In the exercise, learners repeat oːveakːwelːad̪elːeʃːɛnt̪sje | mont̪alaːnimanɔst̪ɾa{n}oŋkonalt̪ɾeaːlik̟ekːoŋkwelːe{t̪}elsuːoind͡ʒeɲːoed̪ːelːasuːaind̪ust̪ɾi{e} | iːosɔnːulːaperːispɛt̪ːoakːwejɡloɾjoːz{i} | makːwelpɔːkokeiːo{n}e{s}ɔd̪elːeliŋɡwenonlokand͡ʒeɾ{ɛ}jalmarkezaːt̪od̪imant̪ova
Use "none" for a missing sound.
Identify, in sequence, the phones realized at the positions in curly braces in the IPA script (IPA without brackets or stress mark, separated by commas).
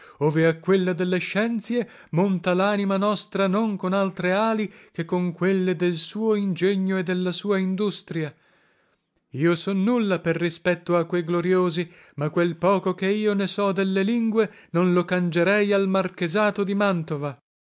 n, d̪, a, i, n, s, ɛ